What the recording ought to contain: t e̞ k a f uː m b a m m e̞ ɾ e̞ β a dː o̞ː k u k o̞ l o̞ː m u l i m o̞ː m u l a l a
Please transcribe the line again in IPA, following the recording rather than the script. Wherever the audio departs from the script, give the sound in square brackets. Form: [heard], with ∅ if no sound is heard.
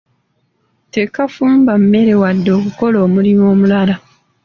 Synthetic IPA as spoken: t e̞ k a f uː m b a m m e̞ ɾ e̞ [w] a dː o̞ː k u k o̞ l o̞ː m u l i m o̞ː m u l a l a